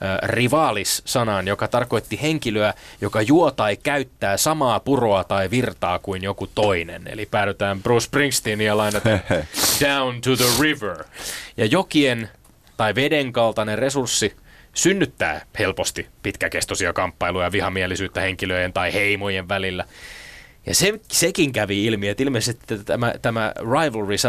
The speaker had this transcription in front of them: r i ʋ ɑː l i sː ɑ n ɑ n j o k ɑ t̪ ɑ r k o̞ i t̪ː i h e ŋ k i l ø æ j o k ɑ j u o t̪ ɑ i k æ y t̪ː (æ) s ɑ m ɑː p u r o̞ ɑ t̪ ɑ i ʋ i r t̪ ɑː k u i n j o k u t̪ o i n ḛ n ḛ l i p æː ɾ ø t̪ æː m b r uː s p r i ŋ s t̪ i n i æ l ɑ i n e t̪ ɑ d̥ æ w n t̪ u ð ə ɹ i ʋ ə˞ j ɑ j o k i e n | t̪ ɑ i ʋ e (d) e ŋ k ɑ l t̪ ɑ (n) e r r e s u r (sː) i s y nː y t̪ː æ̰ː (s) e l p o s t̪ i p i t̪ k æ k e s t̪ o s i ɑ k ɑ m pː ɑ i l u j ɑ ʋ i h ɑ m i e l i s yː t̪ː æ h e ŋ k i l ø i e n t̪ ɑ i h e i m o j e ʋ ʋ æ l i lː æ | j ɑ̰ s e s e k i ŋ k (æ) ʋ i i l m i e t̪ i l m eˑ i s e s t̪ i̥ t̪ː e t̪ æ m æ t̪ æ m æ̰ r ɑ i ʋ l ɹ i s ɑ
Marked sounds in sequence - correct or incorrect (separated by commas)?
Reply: incorrect, correct, correct, correct, incorrect, correct